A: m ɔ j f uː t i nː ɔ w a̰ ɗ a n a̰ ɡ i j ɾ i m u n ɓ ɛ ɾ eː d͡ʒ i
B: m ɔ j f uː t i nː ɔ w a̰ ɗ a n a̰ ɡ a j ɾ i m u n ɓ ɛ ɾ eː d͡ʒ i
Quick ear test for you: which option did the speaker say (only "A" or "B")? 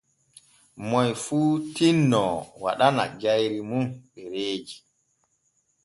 B